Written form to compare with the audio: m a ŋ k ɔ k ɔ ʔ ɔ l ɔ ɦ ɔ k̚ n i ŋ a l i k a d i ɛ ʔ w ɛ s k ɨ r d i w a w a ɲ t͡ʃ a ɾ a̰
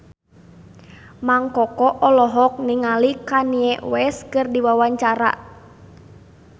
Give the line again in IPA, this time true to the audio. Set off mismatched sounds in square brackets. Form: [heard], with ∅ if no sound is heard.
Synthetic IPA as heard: m a ŋ k ɔ k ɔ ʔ ɔ l ɔ ɦ ɔ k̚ n i ŋ a l i k a [n] i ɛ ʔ w ɛ s k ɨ r d i w a w a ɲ t͡ʃ a ɾ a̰